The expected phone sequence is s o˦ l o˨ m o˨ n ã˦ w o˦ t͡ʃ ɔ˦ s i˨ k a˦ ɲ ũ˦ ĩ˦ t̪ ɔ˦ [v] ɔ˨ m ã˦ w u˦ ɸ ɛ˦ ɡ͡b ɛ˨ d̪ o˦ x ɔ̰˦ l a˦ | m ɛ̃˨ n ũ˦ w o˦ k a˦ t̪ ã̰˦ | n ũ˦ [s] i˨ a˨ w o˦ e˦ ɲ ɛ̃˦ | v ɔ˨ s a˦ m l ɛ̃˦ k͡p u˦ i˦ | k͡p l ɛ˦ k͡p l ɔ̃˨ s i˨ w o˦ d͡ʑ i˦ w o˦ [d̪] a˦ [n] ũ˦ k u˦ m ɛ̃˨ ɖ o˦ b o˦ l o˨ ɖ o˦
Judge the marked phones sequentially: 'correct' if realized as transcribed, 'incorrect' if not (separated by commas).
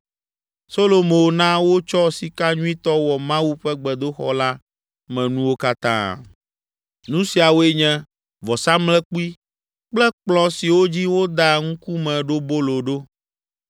incorrect, correct, correct, incorrect